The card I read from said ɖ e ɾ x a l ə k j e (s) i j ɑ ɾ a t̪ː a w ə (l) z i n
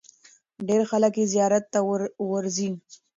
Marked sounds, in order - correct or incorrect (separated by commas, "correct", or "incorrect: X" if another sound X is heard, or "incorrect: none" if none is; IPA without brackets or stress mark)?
incorrect: z, incorrect: ɾ